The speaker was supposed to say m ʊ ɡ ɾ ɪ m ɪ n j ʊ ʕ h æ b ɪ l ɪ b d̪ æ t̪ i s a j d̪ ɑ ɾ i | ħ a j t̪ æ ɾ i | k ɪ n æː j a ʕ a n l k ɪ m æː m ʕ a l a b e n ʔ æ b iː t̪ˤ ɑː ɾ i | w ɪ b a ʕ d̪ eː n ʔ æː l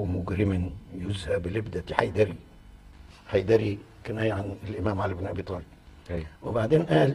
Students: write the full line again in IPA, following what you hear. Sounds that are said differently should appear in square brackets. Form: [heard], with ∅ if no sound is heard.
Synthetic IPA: m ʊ ɡ ɾ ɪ m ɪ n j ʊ [z] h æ b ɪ l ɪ b d̪ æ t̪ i [ħ] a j d̪ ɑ ɾ i | ħ a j [d̪] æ ɾ i | k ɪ n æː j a ʕ a n l [ʔ] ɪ m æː m ʕ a l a b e n ʔ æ b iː t̪ˤ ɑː [l] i | w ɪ b a ʕ d̪ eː n ʔ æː l